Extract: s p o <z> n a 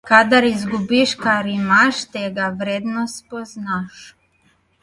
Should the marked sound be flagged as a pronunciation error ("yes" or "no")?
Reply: no